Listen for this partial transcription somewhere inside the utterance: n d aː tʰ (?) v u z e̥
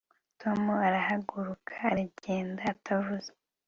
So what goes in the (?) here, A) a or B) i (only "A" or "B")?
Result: A